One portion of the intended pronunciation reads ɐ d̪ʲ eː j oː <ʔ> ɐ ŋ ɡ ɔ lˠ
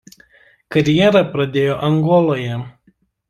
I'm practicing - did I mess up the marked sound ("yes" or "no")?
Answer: no